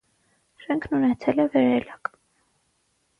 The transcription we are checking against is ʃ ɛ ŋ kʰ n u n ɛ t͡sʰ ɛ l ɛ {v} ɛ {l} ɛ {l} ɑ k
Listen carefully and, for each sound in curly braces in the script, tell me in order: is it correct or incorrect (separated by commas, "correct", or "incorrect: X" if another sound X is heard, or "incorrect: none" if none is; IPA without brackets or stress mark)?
correct, incorrect: ɾ, correct